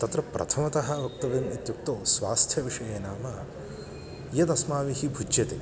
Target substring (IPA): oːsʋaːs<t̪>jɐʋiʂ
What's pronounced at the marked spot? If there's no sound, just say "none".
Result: t̪ʰ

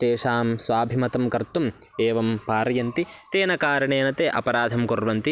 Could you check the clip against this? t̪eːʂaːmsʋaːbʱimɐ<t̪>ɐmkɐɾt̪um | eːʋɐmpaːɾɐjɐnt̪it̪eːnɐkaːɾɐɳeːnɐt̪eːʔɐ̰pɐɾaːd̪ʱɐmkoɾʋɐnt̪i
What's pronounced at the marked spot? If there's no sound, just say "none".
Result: t̪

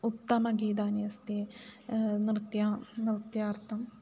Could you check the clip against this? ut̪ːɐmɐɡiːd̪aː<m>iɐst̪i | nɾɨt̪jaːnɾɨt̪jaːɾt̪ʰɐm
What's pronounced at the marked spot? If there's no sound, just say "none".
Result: n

